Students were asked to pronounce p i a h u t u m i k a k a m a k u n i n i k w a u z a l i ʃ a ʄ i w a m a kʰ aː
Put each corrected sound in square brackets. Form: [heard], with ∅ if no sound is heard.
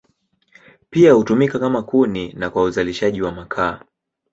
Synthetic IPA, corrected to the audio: p i a h u t u m i k a k a m a k u n i n [a] k w a u z a l i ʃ a ʄ i w a m a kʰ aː